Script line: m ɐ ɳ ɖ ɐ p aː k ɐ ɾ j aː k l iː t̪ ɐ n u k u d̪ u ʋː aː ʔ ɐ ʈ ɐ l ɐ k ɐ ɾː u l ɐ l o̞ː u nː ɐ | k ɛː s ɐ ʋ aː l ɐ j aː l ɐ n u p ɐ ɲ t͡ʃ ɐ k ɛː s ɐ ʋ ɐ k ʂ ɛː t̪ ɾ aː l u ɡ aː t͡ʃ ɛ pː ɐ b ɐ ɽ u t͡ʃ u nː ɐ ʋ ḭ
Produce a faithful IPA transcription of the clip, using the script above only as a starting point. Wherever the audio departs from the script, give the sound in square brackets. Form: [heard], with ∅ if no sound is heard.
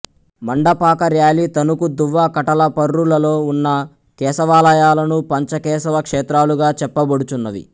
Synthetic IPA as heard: m ɐ ɳ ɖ ɐ p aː k ɐ ɾ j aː [∅] l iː t̪ ɐ n u k u d̪ u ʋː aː [k] ɐ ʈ ɐ l ɐ [p] ɐ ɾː u l ɐ l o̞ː u nː ɐ | k ɛː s ɐ ʋ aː l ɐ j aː l ɐ n u p ɐ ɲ t͡ʃ ɐ k ɛː s ɐ ʋ ɐ k ʂ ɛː t̪ ɾ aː l u ɡ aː t͡ʃ ɛ pː ɐ b ɐ ɽ u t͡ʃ u nː ɐ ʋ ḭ